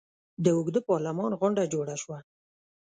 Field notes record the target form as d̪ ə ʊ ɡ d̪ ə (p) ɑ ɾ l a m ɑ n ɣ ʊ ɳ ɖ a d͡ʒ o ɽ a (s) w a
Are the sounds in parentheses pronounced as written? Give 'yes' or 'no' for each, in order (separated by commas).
yes, no